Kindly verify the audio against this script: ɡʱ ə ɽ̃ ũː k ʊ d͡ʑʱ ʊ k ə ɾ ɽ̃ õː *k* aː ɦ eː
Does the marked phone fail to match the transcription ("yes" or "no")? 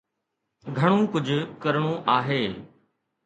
yes